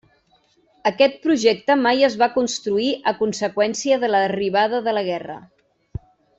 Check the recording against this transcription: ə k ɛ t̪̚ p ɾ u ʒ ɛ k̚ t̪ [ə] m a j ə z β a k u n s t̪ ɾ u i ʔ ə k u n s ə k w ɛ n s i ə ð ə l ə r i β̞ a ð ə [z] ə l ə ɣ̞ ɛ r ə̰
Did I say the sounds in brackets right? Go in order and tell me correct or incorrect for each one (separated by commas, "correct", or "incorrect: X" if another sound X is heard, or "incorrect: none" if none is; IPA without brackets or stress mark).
correct, incorrect: ð